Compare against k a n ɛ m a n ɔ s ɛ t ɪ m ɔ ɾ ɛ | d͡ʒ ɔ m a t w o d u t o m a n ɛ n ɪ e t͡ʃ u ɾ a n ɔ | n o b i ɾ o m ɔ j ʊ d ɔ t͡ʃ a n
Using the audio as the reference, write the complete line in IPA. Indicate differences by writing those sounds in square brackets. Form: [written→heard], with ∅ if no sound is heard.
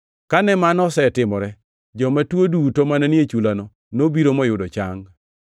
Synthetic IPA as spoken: k a n ɛ m a n ɔ s ɛ t ɪ m ɔ ɾ ɛ | d͡ʒ ɔ m a t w o d u t o m a n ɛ n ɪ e t͡ʃ u [ɾ→l] a n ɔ | n o b i ɾ o m ɔ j ʊ d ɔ t͡ʃ a [n→ŋ]

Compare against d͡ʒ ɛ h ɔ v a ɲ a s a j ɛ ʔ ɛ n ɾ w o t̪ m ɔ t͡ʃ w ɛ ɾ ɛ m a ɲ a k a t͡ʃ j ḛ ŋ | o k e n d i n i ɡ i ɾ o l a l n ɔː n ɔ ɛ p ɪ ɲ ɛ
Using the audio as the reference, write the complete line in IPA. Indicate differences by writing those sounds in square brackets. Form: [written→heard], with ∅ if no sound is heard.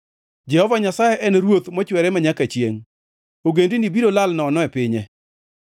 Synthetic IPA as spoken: d͡ʒ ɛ h ɔ v a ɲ a s a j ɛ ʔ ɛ n ɾ w o t̪ m ɔ t͡ʃ w ɛ ɾ ɛ m a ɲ a k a t͡ʃ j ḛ ŋ | o [k→ɡ] e n d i n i [ɡ→b] i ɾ o l a l n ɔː n ɔ ɛ p ɪ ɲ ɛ

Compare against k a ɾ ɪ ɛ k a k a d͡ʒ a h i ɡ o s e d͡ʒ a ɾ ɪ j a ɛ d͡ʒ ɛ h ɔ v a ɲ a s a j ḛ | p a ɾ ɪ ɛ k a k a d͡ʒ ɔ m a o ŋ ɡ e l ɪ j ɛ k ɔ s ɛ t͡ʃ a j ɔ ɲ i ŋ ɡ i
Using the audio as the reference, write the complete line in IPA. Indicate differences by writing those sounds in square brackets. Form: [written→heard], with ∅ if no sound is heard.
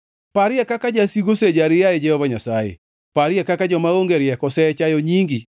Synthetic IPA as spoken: [k→p] a ɾ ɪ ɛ k a k a d͡ʒ a [h→s] i ɡ o s e d͡ʒ a ɾ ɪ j a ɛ d͡ʒ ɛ h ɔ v a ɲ a s a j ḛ | p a ɾ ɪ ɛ k a k a d͡ʒ ɔ m a o ŋ ɡ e [l→ɾ] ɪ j ɛ k ɔ s ɛ t͡ʃ a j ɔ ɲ i ŋ ɡ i

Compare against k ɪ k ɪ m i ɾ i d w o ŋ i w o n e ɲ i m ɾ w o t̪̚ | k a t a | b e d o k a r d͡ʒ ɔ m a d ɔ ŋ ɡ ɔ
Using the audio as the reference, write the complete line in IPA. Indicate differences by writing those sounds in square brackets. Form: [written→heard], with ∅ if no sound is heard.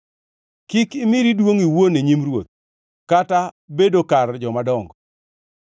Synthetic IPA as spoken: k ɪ k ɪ m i ɾ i d w o ŋ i w o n e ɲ i m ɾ w o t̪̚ | k a t a | b e d o k a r d͡ʒ ɔ m a d ɔ ŋ ɡ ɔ

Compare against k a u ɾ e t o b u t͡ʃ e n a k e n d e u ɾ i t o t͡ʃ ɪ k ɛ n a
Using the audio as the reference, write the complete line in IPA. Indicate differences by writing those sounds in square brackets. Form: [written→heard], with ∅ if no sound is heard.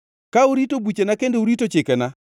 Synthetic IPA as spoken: k a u ɾ [e→i] t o b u t͡ʃ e n a k e n d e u ɾ i t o t͡ʃ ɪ k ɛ n a

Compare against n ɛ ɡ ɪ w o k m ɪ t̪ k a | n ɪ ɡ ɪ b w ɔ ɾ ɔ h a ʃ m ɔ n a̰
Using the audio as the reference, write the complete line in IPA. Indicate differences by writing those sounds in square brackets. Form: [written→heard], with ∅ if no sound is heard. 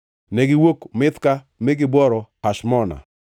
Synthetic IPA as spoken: n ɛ ɡ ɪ w o k m ɪ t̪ k a | [n→m] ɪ ɡ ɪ b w ɔ ɾ ɔ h a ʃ m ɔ n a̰

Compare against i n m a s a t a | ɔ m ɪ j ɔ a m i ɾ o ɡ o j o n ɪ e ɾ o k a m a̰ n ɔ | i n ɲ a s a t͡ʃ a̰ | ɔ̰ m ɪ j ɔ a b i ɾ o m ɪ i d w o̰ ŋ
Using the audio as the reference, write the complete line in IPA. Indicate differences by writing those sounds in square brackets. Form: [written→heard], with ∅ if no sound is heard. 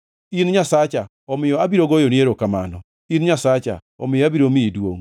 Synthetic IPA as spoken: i n [m→ɲ] a s a [t→t͡ʃ] a | ɔ m ɪ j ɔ a [m→b] i ɾ o ɡ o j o n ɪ e ɾ o k a m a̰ n ɔ | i n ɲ a s a t͡ʃ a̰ | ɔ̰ m ɪ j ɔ a b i ɾ o m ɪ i d w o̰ ŋ

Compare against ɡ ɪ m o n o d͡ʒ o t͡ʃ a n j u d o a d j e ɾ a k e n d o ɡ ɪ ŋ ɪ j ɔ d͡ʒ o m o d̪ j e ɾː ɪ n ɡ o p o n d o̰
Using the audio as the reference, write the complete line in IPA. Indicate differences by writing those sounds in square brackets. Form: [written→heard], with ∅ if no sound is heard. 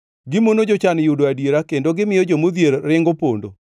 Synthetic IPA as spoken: ɡ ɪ m o n o d͡ʒ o t͡ʃ a n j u d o a d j e ɾ a k e n d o ɡ ɪ [ŋ→m] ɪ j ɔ d͡ʒ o m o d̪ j e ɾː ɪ [n→ŋ] ɡ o p o n d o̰

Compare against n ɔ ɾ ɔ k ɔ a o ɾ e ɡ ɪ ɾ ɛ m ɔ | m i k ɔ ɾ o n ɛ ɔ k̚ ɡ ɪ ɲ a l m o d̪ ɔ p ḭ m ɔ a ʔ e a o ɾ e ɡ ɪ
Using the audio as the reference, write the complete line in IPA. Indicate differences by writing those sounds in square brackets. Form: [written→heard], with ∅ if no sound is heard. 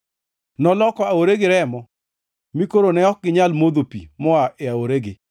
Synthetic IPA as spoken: n ɔ [ɾ→l] ɔ k ɔ a o ɾ e ɡ ɪ ɾ ɛ m ɔ | m i k [ɔ→o] ɾ o n ɛ ɔ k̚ ɡ ɪ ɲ a l m o d̪ [ɔ→o] p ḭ m ɔ a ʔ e a o ɾ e ɡ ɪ

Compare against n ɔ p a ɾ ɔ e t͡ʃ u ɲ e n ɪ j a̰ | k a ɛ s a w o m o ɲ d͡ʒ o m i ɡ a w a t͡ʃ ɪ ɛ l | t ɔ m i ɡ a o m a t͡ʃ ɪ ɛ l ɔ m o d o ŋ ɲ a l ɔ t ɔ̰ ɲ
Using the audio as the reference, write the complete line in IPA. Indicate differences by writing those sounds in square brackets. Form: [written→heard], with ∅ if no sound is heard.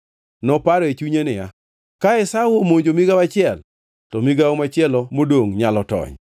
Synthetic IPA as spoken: n ɔ p a ɾ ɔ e t͡ʃ u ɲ e n ɪ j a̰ | k a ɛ s a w o m o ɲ d͡ʒ o m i ɡ a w a t͡ʃ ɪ ɛ l | t ɔ m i ɡ a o m a t͡ʃ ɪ ɛ l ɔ m o d o ŋ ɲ a l ɔ t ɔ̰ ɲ

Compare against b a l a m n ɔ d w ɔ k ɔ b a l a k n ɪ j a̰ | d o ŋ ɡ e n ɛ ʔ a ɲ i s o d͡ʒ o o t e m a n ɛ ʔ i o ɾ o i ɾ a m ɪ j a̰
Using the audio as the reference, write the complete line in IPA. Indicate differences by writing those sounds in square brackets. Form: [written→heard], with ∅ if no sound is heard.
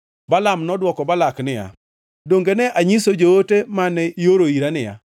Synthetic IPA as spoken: b a l a m n ɔ d w ɔ k ɔ b a l a k n ɪ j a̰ | d o ŋ ɡ e n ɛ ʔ a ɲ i s o d͡ʒ o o t e m a n ɛ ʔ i o ɾ o i ɾ a [m→n] ɪ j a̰

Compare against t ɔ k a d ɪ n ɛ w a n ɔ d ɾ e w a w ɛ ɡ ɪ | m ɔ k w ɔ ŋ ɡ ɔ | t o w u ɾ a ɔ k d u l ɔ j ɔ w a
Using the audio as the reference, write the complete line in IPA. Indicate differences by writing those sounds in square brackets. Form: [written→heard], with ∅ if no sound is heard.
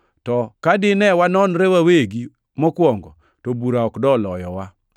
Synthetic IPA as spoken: t ɔ k a d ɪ n ɛ w a n ɔ [d→n] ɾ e w a w [ɛ→e] ɡ [ɪ→i] | m ɔ k w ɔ ŋ ɡ ɔ | t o [w→b] u ɾ a ɔ k d [u→ɔ] l ɔ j ɔ w a

